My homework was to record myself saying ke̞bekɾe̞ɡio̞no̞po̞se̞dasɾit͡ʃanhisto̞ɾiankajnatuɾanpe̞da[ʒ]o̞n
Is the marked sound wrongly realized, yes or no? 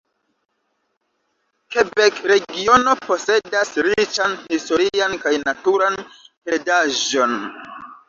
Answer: no